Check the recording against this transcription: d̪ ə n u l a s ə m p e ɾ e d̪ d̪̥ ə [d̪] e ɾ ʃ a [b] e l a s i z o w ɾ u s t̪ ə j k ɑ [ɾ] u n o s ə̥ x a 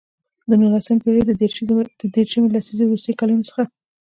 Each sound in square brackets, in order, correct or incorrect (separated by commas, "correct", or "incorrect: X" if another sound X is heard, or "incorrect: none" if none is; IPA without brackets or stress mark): correct, incorrect: m, incorrect: l